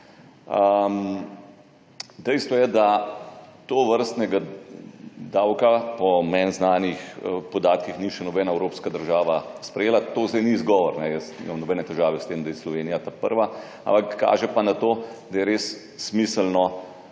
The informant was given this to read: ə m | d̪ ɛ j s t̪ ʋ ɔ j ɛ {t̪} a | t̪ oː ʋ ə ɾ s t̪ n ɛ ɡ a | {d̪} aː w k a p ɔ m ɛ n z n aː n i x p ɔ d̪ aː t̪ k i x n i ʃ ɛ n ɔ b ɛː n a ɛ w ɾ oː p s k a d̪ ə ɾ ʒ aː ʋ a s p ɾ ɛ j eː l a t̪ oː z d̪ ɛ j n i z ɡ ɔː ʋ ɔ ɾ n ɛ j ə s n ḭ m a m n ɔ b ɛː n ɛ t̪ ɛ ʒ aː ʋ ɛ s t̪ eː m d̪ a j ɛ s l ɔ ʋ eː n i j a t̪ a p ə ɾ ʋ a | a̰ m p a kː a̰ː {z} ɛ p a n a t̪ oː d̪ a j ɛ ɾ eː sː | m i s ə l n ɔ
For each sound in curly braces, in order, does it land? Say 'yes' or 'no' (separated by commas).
no, yes, no